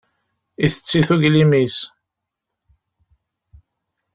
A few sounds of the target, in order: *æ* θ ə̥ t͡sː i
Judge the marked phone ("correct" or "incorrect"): incorrect